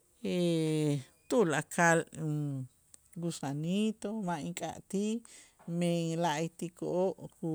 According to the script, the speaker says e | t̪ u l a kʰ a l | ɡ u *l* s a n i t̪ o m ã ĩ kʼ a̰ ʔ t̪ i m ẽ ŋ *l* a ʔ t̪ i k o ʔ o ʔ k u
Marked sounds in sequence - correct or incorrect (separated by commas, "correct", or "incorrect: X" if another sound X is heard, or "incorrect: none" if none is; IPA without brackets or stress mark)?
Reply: incorrect: none, correct